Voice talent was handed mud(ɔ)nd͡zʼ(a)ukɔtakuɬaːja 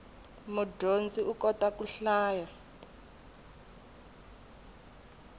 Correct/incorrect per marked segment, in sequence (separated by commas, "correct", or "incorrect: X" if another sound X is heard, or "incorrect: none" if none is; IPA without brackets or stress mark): incorrect: o, incorrect: i